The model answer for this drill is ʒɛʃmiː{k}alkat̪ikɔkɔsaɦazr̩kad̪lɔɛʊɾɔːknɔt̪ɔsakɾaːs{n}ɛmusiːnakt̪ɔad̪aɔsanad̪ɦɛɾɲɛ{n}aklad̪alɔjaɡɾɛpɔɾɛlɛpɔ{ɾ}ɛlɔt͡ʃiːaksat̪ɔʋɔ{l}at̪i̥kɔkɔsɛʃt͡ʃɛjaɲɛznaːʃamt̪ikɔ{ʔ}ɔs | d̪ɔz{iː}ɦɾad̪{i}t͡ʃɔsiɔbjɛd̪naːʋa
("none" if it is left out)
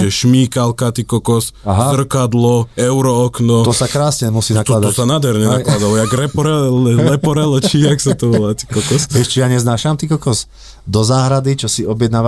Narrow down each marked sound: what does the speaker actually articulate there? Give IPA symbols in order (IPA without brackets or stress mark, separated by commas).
k, ɲ, n, ɾ, l, k, aː, i